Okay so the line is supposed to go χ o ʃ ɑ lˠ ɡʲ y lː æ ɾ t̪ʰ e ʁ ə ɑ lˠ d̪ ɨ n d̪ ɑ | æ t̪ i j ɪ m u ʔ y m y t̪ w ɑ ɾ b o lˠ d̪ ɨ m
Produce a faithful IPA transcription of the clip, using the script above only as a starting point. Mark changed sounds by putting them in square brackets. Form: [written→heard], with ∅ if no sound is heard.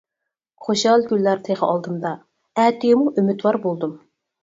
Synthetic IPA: χ o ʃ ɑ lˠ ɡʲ y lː æ ɾ t̪ʰ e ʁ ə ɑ lˠ d̪ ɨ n d̪ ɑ | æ t̪ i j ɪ m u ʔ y m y t̪ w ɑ ɾ b o lˠ d̪ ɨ m